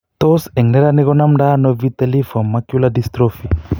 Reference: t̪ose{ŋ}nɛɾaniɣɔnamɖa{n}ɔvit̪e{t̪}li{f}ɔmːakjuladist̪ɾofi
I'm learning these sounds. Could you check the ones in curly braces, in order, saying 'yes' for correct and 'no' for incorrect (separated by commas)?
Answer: yes, yes, no, yes